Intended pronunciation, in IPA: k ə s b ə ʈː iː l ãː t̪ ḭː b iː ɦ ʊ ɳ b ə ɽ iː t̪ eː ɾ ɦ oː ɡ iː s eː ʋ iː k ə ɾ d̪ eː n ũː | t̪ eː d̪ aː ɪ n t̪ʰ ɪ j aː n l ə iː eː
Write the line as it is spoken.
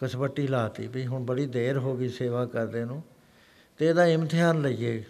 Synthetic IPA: k ə s b ə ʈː iː l aː t̪ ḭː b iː ɦ ʊ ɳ b ə ɽ iː d̪ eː ɾ ɦ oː ɡ iː s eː ʋ aː k ə ɾ d̪ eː n ũː | t̪ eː d̪ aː ɪ m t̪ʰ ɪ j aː n l ə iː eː